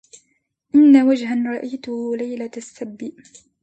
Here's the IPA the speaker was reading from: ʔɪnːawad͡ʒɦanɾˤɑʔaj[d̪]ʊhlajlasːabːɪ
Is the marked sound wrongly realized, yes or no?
yes